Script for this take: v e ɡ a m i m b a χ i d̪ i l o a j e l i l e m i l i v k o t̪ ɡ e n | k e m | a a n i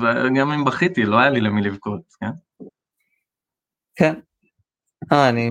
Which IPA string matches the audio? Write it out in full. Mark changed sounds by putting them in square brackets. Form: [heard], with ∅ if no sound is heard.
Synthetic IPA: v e ɡ a m i m b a χ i [t̪] i l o a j [a] l i l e m i l i v k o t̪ [k] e n | k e [n] | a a n i